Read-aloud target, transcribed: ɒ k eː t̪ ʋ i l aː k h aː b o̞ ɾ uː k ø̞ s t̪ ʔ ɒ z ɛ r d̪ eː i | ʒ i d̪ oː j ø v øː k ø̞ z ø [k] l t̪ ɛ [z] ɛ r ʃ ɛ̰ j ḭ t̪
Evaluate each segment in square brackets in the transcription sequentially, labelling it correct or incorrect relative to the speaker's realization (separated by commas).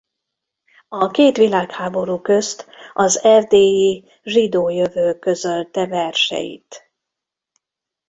incorrect, incorrect